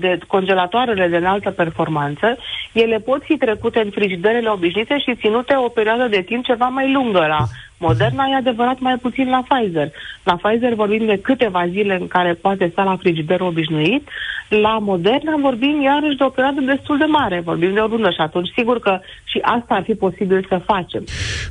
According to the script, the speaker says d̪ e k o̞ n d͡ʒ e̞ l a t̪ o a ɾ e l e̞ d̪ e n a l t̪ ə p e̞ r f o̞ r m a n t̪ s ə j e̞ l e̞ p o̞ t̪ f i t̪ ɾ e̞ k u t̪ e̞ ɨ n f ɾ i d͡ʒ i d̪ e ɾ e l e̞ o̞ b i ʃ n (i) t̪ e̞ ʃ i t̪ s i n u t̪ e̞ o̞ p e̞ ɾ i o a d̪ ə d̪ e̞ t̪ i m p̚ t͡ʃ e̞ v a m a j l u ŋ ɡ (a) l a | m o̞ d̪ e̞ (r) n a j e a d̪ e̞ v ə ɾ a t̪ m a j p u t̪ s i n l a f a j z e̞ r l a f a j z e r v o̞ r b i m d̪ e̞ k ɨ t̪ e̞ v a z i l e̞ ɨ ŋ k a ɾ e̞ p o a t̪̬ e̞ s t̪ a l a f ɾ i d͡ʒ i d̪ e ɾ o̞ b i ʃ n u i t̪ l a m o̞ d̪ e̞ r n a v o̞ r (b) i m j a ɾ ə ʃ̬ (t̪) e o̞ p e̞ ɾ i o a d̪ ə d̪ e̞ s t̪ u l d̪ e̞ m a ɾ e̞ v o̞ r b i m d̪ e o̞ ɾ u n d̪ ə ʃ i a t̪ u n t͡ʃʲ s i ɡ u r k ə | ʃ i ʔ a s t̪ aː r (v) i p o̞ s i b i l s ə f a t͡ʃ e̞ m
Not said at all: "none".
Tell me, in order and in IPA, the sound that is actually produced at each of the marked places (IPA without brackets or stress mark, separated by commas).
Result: i, ə, r, b, d̪, f